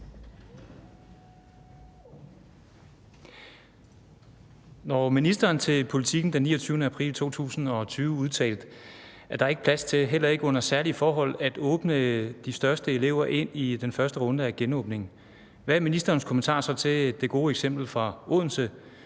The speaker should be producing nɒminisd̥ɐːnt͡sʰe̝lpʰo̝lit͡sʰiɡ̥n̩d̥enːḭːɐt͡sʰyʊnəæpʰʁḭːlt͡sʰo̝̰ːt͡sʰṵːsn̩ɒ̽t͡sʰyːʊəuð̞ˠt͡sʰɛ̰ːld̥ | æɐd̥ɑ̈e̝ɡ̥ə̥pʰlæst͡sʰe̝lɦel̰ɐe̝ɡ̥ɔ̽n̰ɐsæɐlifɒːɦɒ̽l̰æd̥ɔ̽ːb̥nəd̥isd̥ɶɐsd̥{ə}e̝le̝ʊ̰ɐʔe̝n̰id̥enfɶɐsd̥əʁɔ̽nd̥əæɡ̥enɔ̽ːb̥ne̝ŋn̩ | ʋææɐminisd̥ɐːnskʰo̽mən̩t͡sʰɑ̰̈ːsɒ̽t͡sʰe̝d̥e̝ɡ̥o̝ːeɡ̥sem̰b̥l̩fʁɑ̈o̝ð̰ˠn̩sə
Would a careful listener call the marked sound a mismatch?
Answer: no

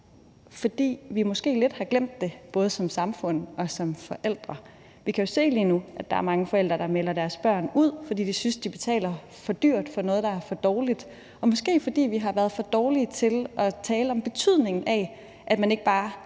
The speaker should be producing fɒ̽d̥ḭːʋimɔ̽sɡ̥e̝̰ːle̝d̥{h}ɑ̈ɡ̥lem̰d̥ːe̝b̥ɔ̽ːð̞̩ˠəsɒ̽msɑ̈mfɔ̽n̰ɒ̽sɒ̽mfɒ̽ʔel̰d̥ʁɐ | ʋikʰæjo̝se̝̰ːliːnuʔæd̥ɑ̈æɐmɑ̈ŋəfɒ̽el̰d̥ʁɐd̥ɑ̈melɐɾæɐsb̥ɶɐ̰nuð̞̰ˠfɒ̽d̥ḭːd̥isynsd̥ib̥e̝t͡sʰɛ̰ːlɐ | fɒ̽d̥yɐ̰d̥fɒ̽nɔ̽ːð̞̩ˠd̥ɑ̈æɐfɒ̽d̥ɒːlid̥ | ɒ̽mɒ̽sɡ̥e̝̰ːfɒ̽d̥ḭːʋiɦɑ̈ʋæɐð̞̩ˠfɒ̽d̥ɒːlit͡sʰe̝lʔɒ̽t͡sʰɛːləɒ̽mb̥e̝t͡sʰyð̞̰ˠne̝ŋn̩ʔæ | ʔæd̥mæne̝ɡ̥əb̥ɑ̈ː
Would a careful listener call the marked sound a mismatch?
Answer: no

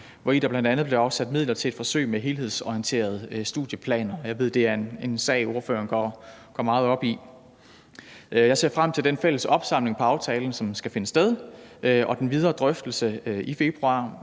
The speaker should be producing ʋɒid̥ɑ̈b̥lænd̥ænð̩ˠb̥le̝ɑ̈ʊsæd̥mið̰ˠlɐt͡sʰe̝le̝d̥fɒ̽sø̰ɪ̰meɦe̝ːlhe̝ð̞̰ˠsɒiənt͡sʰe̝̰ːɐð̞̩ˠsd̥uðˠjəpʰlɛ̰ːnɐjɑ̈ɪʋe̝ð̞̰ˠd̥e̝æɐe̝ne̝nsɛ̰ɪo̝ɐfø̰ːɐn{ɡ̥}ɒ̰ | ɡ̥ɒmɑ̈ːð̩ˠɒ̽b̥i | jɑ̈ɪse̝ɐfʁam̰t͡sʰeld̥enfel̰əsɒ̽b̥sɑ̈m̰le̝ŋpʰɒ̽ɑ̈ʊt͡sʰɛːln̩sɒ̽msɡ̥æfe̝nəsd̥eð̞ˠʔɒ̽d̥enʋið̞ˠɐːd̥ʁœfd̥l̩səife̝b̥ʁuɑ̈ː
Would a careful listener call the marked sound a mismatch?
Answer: no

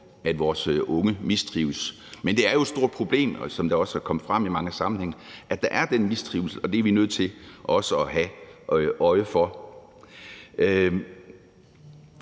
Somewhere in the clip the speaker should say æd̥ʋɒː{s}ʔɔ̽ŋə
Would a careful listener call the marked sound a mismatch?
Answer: no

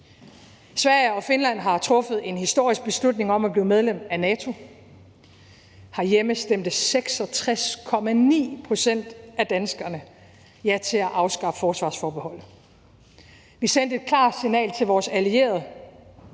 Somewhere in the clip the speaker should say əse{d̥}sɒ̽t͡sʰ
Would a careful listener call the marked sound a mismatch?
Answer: yes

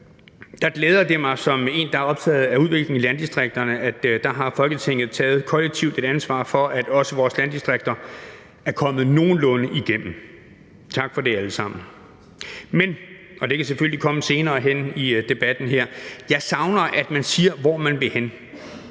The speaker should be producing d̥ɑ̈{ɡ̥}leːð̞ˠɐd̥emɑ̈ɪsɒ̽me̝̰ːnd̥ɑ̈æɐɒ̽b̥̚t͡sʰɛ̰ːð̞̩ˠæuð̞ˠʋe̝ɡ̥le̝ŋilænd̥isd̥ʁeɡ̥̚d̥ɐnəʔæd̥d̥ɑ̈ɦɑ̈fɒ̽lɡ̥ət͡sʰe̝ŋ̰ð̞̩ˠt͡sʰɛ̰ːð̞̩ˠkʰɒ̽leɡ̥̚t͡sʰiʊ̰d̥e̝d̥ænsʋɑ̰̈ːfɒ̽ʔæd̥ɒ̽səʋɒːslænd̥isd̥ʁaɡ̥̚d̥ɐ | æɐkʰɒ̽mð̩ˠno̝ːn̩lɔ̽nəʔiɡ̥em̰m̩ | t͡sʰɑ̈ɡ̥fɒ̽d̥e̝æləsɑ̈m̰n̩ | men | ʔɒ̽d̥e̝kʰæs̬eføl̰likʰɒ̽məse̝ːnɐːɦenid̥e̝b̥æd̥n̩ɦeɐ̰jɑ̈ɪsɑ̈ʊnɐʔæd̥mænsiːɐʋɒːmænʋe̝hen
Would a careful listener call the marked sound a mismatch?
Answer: no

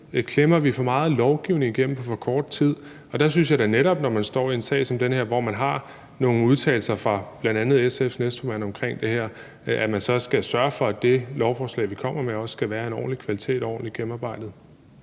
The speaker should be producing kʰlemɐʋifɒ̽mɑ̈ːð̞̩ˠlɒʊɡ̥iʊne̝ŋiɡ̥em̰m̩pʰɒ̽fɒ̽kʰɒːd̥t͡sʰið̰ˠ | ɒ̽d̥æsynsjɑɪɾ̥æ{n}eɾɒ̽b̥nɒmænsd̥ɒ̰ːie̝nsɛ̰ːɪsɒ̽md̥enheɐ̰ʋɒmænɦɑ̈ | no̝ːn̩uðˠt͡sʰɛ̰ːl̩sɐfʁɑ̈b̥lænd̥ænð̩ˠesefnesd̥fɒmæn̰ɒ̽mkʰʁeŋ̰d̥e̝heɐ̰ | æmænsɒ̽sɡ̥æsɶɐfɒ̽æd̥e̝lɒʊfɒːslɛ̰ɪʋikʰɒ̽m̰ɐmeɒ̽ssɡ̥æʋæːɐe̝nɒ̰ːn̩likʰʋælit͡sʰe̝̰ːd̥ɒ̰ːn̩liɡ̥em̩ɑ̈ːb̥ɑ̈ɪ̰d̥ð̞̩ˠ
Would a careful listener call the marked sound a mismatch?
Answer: no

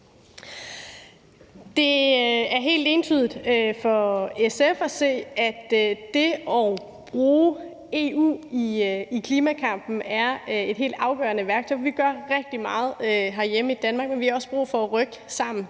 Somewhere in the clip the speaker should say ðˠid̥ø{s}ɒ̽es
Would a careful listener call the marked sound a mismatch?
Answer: yes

